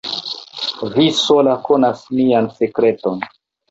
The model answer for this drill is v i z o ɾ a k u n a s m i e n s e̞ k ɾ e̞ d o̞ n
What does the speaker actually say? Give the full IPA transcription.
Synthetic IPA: v i s o l a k o n a s m i a n s e̞ k ɾ e̞ t o̞ n